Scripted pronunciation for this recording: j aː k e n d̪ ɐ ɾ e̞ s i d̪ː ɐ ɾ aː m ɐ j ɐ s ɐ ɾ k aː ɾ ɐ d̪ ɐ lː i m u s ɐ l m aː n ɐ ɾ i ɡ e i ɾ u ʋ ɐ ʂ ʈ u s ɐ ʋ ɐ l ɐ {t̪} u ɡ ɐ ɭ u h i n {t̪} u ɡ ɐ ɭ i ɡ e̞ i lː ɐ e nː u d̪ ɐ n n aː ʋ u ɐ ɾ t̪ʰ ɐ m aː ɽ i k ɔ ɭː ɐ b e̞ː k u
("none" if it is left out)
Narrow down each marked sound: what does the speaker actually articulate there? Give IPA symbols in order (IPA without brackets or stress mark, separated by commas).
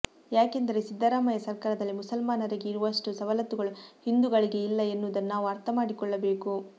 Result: t̪, d̪